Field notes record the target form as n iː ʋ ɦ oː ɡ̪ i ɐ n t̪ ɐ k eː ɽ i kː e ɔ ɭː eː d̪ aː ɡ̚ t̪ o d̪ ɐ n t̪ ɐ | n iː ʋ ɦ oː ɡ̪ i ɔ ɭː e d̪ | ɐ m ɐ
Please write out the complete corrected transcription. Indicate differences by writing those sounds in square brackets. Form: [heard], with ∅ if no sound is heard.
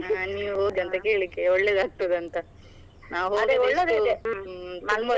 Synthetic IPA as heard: n iː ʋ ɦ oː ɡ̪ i ɐ n t̪ ɐ k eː [ɭ] i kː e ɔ ɭː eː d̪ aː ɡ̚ t̪ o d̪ ɐ n t̪ ɐ | n [aː] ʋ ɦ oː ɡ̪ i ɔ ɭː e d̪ | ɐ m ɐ